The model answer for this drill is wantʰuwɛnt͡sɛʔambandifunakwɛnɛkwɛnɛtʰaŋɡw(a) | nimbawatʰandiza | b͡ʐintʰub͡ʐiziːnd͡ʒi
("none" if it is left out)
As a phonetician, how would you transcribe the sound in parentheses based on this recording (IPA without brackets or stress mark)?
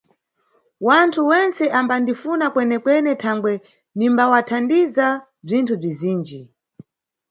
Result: ɛ